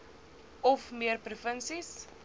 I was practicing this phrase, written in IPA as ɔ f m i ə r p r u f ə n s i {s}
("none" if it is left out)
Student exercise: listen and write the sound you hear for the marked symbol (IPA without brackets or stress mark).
s